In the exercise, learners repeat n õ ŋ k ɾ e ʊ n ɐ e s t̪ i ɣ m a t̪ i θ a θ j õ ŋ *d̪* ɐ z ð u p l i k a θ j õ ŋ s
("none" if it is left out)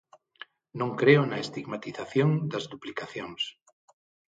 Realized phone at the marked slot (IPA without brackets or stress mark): d̪